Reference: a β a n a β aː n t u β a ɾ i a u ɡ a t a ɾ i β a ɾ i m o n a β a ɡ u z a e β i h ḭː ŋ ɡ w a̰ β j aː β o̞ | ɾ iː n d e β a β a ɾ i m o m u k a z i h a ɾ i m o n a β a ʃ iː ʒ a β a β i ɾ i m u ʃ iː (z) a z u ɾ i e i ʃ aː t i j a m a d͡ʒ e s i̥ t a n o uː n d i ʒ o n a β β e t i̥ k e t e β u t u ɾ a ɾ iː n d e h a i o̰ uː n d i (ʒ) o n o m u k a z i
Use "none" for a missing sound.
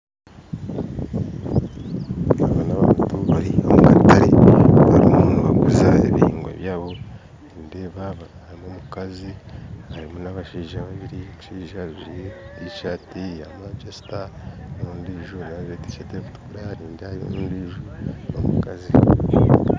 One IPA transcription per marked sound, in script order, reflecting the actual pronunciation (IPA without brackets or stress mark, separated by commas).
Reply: ʒ, ʒ